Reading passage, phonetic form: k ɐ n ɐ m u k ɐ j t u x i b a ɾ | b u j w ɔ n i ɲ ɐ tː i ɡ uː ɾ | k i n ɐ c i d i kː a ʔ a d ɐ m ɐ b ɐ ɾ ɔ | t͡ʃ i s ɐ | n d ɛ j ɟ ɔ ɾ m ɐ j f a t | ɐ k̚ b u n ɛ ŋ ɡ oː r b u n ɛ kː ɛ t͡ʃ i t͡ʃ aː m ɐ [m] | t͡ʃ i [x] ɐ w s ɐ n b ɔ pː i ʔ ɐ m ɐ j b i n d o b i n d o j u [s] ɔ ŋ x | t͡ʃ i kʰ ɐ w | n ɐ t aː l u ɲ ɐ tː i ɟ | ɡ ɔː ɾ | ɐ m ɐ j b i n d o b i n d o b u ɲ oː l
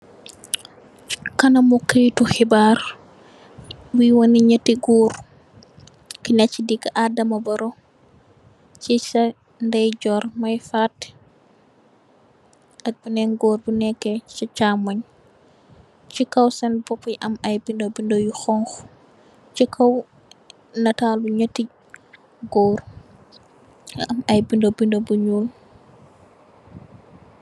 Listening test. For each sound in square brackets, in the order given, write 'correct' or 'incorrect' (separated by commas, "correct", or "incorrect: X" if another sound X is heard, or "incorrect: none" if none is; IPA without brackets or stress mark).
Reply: incorrect: ɲ, incorrect: k, incorrect: x